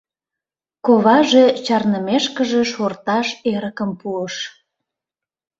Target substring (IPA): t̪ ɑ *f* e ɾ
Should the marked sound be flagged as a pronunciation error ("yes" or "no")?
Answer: yes